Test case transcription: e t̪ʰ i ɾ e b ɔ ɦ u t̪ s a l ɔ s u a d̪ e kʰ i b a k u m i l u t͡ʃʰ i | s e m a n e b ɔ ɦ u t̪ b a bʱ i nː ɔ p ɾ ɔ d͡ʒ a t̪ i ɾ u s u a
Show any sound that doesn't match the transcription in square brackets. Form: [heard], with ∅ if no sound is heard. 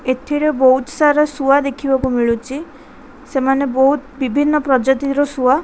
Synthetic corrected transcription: e t̪ʰ i ɾ e b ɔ ɦ u t̪ s a [ɾ] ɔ s u a d̪ e kʰ i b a k u m i [ɭ] u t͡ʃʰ i | s e m a n e b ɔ ɦ u t̪ b [i] bʱ i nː ɔ p ɾ ɔ d͡ʒ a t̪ i ɾ [ɔ] s u a